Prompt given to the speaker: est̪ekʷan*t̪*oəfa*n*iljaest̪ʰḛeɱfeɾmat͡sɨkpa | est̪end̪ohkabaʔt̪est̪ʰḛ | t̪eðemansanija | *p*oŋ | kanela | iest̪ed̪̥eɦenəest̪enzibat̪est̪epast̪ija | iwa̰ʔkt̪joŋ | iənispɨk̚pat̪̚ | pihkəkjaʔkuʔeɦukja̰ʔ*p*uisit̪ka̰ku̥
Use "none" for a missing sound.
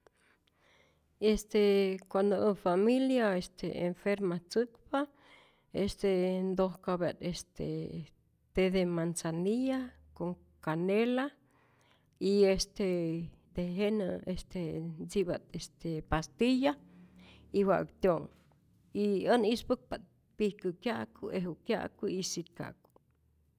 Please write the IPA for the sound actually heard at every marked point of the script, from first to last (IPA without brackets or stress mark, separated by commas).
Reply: d̪, m, k, k